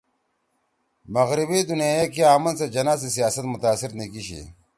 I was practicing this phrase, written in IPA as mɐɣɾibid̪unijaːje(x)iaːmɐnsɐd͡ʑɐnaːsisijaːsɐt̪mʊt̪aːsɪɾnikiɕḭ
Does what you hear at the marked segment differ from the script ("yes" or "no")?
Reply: yes